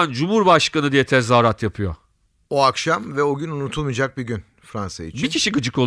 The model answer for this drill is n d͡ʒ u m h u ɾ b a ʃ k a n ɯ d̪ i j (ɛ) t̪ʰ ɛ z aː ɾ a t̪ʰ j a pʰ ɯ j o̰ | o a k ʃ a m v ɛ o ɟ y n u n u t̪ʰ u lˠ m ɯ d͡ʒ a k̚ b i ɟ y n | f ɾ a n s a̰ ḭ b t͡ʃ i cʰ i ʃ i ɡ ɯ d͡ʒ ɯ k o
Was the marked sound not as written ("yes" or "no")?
no